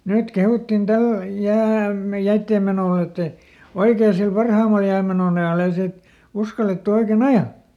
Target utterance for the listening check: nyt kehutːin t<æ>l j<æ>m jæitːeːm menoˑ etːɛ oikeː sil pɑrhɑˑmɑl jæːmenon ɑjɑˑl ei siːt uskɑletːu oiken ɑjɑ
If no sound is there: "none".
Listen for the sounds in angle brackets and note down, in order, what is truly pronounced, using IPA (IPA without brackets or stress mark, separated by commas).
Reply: æ, æː